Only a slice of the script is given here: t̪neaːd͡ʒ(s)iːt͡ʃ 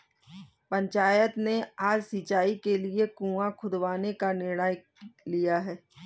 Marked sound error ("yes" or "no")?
no